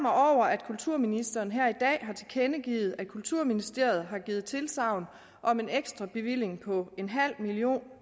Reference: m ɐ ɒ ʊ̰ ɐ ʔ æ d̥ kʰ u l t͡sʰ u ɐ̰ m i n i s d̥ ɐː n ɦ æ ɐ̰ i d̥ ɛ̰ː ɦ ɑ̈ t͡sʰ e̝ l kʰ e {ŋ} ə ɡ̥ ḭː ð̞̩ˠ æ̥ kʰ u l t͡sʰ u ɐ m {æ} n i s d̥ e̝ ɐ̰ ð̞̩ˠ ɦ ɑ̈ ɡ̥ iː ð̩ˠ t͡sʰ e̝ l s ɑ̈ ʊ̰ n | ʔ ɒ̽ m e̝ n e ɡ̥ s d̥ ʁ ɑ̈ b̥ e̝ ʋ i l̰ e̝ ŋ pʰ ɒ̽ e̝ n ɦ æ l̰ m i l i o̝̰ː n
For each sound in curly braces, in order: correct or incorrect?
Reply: incorrect: n, incorrect: i

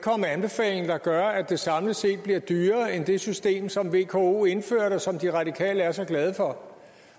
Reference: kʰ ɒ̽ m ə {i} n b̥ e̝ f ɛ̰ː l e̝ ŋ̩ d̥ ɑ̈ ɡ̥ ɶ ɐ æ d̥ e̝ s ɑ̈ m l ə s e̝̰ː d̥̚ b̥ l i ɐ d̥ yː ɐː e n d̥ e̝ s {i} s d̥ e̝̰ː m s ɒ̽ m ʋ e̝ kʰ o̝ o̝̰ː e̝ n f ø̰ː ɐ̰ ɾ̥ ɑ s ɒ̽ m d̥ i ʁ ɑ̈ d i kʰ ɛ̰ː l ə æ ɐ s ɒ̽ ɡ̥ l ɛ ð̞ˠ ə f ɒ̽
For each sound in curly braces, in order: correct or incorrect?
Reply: incorrect: æ, incorrect: y

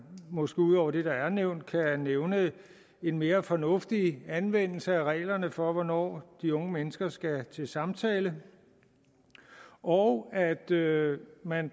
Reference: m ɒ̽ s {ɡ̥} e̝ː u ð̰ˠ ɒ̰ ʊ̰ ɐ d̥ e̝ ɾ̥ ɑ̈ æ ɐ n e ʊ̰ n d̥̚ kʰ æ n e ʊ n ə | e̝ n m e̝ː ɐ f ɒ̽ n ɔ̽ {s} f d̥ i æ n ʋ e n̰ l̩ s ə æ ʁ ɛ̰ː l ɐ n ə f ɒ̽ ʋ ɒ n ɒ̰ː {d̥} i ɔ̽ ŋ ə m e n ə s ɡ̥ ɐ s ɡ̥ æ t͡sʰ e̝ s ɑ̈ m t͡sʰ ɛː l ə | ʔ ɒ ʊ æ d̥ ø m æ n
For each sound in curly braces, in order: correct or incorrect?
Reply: correct, incorrect: none, correct

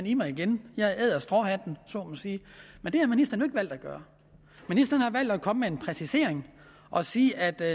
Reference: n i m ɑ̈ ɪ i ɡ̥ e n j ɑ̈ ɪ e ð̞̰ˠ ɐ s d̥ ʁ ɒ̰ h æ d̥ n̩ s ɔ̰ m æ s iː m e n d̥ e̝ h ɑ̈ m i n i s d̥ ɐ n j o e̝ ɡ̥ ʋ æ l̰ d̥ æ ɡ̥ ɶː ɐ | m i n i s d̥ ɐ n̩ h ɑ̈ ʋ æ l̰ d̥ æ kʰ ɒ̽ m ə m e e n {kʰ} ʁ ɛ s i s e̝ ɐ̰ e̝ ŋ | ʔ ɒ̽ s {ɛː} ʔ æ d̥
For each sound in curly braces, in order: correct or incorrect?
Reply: incorrect: pʰ, incorrect: iː

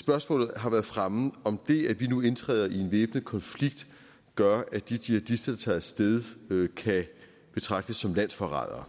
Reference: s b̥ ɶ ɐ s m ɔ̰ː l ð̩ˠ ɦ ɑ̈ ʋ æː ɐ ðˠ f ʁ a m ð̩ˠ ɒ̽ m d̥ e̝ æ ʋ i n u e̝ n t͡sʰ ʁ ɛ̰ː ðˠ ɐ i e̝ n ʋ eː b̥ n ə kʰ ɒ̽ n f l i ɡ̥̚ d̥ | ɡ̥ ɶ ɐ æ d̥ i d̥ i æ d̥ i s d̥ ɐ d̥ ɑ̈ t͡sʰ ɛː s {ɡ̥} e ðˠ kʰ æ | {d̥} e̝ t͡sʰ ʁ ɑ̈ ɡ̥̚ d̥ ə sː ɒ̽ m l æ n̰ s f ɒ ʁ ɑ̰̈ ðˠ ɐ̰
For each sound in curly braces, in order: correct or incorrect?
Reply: incorrect: d̥, incorrect: b̥

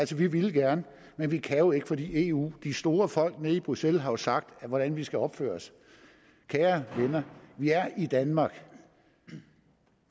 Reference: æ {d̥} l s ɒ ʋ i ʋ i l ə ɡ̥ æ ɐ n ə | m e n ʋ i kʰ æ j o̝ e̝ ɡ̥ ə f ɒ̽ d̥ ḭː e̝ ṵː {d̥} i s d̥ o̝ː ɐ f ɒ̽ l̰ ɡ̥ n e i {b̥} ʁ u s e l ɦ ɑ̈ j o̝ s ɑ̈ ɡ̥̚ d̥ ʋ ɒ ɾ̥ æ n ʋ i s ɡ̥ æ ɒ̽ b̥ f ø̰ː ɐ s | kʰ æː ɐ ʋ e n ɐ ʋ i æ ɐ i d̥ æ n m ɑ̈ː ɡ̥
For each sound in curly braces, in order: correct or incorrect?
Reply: incorrect: none, correct, correct

